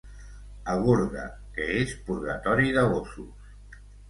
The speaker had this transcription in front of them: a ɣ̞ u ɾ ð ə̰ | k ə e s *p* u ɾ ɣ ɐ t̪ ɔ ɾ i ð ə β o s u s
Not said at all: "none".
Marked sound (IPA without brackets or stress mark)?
p